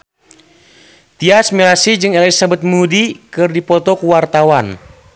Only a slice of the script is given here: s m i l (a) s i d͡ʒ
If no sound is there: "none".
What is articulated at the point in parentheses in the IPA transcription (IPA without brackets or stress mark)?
a